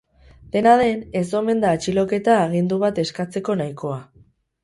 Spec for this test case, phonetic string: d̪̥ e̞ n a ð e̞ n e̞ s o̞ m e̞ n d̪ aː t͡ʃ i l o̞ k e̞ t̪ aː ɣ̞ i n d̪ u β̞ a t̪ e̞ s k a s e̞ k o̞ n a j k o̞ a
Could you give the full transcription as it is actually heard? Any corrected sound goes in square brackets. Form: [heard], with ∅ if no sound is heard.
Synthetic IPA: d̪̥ e̞ n a ð e̞ n e̞ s o̞ m e̞ n d̪ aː t͡ʃ i l o̞ k e̞ t̪ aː ɣ̞ i n d̪ u β̞ a t̪ e̞ s k a [t͡s] e̞ k o̞ n a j k o̞ a